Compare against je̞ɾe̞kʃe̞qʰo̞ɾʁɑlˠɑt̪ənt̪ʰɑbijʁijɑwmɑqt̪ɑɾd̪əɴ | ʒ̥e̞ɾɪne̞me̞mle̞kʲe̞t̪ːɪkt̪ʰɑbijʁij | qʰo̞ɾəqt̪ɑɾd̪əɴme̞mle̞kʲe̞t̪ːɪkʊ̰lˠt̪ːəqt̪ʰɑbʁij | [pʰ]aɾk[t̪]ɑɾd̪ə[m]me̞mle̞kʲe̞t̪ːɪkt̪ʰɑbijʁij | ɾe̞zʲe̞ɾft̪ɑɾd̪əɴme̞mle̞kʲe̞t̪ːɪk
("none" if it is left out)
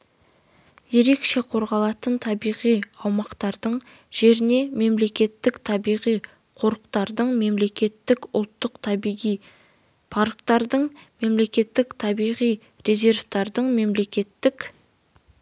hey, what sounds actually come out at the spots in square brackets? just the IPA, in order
pʰ, t̪, ɴ

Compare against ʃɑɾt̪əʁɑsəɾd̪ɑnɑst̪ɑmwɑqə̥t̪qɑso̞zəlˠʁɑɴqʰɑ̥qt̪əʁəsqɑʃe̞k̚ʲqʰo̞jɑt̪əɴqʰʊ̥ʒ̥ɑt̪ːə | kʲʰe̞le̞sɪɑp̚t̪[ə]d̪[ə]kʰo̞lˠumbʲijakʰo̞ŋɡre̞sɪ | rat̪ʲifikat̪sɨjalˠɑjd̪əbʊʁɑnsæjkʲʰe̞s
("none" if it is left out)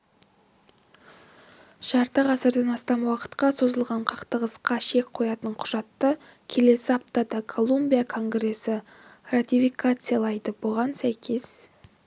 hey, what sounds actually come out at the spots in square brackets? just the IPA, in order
ɑ, ɑ

